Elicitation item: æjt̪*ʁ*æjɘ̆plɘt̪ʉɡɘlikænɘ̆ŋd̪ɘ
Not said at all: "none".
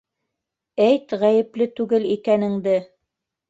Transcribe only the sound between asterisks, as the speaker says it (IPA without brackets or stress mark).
ʁ